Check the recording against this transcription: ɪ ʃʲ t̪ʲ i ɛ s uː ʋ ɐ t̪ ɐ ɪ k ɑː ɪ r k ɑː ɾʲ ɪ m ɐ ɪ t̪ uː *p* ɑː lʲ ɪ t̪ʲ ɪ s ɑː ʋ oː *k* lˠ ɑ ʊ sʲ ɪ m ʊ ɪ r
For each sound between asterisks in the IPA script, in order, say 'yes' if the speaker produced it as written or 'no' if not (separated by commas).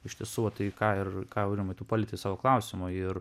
yes, yes